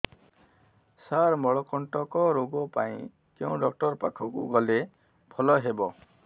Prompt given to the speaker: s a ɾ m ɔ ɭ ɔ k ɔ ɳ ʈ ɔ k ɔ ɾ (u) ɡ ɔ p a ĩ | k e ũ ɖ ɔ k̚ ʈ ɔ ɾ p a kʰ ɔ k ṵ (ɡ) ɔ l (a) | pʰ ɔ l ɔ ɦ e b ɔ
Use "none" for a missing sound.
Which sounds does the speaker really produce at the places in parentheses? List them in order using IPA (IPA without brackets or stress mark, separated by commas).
o, ɡ, e